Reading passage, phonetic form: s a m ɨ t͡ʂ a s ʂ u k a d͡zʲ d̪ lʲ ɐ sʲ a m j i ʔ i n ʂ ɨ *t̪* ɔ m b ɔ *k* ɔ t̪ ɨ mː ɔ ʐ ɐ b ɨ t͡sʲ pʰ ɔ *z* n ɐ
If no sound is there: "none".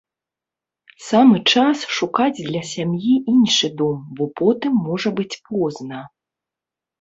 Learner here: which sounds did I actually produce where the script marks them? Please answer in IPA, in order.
d̪, p, z

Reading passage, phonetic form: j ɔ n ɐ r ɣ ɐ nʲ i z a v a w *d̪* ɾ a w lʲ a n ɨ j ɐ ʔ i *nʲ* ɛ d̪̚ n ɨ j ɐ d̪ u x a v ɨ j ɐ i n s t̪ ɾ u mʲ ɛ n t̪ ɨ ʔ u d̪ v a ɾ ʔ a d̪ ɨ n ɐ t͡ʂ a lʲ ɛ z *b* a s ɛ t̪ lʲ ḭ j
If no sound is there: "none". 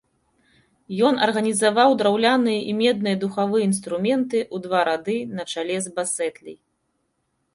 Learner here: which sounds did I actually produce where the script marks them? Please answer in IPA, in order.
d̪, mʲ, b

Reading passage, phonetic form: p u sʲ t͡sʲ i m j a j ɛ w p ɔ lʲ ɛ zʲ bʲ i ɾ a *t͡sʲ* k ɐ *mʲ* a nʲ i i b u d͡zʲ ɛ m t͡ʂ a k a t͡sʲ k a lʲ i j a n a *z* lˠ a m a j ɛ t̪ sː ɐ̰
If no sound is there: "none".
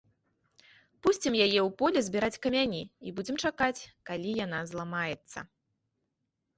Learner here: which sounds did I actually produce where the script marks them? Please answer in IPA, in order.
t͡sʲ, mʲ, z

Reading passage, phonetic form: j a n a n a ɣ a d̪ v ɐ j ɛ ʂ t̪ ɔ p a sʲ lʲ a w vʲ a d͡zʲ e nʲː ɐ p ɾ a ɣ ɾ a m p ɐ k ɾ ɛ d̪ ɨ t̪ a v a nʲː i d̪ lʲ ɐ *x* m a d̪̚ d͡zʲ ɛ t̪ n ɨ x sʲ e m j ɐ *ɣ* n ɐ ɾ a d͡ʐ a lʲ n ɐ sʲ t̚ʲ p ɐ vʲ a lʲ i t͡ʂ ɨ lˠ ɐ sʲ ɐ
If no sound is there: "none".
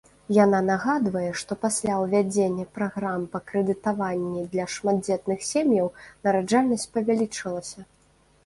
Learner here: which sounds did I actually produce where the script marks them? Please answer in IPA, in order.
ʂ, w

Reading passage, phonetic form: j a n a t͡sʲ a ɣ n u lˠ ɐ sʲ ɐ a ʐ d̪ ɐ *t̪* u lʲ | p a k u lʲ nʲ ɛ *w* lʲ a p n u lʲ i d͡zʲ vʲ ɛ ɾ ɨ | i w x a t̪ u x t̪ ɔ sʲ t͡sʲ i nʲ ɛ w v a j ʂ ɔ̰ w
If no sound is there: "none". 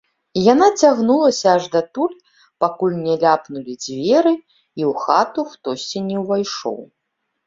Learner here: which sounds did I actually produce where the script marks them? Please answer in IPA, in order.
t̪, none

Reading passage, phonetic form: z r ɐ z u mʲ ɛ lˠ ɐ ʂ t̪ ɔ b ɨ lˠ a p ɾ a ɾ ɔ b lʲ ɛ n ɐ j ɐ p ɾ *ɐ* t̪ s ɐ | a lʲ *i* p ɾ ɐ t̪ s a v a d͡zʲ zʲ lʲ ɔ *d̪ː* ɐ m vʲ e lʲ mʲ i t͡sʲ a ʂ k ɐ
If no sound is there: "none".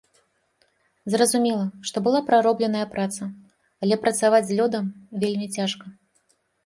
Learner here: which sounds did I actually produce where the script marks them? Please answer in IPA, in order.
a, ɛ, d̪

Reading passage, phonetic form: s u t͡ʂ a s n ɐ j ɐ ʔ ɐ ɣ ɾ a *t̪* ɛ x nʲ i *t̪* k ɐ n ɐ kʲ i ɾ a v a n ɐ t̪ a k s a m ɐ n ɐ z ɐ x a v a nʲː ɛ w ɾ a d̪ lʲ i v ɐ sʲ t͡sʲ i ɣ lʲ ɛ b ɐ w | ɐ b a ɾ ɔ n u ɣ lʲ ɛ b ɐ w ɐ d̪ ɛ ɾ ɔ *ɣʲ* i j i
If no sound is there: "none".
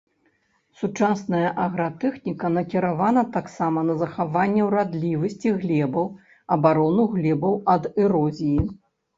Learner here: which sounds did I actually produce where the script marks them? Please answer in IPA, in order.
t̪, none, zʲ

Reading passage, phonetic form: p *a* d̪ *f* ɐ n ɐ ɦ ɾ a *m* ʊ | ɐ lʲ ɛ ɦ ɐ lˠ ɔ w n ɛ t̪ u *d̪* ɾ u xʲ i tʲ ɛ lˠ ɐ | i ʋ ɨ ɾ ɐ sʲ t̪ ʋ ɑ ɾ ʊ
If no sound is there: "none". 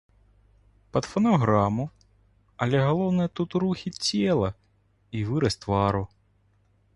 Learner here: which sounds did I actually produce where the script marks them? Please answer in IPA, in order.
ɐ, f, m, t̪

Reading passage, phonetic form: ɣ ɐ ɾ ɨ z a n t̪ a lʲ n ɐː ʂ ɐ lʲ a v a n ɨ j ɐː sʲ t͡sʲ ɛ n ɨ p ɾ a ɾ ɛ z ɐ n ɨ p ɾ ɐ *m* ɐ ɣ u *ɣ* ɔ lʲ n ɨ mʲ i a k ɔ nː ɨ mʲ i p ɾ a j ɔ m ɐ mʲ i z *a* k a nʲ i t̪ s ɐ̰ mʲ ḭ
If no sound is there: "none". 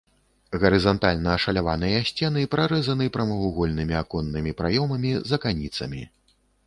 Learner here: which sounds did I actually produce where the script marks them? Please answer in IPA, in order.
m, ɣ, ɐ

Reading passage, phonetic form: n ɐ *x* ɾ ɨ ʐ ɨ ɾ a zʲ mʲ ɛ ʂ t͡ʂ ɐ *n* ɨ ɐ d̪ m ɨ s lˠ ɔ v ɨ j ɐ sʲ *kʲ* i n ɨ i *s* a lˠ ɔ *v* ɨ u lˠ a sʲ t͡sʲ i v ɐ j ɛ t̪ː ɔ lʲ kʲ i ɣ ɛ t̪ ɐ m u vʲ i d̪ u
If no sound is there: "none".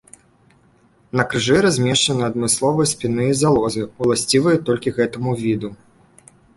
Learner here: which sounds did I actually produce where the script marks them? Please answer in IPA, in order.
k, n, pʲ, z, z

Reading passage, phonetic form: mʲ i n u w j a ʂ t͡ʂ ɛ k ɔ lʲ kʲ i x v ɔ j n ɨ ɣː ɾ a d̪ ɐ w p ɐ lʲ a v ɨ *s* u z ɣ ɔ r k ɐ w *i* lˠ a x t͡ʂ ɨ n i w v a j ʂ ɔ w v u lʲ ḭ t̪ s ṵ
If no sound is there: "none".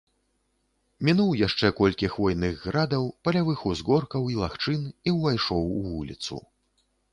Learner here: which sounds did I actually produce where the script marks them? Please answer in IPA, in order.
x, i

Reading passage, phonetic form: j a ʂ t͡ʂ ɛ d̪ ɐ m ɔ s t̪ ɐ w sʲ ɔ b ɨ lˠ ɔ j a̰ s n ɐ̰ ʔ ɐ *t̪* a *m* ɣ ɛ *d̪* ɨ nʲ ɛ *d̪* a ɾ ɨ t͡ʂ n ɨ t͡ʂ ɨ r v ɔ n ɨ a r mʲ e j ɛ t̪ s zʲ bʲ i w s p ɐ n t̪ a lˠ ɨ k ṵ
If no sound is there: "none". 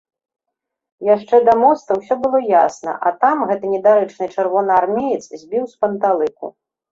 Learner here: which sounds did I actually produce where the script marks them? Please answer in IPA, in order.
t̪, m, t̪, d̪

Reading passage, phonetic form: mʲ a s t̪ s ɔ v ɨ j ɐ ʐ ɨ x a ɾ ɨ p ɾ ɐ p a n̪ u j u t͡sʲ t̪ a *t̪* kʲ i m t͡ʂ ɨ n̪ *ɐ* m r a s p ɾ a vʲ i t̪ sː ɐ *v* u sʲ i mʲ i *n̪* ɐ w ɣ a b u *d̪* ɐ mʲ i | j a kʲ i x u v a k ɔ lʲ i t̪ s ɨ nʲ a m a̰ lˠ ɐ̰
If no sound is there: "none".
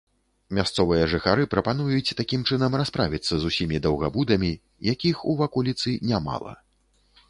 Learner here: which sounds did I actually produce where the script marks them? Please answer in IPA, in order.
none, ɐ, z, d̪, d̪

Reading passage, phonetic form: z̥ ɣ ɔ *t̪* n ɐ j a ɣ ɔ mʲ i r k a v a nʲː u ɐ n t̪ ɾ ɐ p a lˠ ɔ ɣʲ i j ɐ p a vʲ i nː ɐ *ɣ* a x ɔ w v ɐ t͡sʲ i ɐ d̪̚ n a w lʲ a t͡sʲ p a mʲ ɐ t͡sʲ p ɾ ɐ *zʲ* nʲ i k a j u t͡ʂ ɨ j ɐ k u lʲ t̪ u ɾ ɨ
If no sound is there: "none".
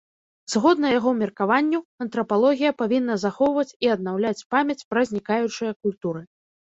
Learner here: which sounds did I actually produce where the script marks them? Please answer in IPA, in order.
d̪, z, zʲ

